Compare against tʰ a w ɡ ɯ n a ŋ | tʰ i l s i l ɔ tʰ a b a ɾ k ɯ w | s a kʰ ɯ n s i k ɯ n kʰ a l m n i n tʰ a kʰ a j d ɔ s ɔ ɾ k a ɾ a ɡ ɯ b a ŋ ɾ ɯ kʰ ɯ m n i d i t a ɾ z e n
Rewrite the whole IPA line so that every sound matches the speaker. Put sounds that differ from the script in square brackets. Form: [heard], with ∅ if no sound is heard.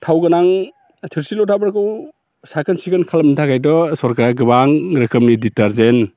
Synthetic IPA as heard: tʰ a w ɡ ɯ n a ŋ | tʰ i [ɾ] s i l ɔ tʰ a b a ɾ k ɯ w | s a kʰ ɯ n s i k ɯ n kʰ a l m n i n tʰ a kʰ a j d ɔ s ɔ ɾ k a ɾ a ɡ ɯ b a ŋ ɾ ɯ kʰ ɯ m n i d i t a ɾ z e n